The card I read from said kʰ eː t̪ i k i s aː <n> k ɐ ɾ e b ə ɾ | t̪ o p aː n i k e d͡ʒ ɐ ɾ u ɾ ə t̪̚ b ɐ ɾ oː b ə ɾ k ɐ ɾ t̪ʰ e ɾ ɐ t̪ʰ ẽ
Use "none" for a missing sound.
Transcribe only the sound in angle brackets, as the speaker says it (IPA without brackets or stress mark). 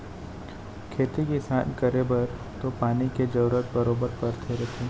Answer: n